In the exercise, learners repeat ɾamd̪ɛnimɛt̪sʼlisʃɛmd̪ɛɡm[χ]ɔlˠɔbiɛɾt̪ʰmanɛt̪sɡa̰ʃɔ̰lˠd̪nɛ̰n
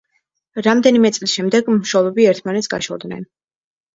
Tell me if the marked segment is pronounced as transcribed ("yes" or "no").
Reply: no